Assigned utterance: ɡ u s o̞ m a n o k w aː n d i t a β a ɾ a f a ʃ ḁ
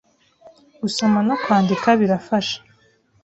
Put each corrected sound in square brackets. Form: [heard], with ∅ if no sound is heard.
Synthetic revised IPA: ɡ u s o̞ m a n o k w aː n d i [k] a β [i] ɾ a f a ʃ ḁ